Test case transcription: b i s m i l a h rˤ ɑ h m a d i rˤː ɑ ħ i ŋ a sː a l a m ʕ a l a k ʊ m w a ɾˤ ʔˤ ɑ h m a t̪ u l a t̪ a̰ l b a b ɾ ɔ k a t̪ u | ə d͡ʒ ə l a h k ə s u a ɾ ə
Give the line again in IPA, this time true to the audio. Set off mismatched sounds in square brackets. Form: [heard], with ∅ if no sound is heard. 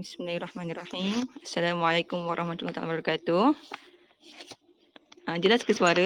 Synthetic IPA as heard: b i s m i l a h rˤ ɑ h m a [n] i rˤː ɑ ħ i [m] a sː a l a m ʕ a l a k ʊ m w a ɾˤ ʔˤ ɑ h m a t̪ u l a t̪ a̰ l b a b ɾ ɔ k a t̪ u | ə d͡ʒ ə l a [s] k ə s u a ɾ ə